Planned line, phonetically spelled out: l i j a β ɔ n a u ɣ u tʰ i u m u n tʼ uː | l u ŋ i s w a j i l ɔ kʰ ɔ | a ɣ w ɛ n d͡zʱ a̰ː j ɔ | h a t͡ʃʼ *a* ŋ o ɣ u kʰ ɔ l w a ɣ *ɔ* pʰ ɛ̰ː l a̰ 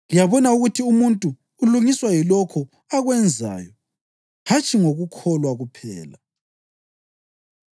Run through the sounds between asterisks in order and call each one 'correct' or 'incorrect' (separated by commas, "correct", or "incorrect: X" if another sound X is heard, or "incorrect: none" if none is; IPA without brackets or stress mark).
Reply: incorrect: i, incorrect: u